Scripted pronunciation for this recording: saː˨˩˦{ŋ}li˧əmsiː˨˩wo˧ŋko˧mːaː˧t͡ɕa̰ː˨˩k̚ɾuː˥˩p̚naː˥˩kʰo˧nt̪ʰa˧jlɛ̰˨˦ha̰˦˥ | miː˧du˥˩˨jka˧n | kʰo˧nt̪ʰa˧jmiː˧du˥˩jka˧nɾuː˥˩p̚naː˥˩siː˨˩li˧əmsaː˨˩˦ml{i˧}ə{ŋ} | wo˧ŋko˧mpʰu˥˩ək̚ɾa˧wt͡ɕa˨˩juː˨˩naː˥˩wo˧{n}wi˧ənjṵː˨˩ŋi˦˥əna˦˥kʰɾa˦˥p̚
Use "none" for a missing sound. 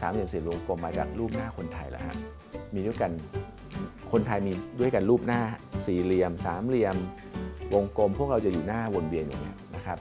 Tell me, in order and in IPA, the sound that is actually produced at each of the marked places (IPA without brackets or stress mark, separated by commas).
m, i˧, m, n